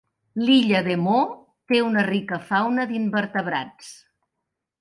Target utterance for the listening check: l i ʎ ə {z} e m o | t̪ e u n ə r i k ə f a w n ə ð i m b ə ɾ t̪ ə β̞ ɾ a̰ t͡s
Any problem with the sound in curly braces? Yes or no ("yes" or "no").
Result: yes